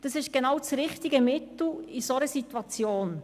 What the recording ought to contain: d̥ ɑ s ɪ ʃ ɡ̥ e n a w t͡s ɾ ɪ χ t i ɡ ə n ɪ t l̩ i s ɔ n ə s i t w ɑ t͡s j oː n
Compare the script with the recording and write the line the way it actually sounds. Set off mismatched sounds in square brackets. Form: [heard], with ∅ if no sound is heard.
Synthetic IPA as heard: d̥ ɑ s ɪ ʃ ɡ̥ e n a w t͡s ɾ ɪ χ t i ɡ ə [m] ɪ t l̩ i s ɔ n ə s i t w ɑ t͡s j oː n